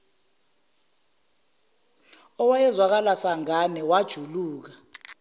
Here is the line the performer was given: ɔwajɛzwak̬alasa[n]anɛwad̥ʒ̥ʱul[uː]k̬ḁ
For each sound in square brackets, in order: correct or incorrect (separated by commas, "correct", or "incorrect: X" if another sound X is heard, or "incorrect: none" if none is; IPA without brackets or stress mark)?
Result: incorrect: ŋ, correct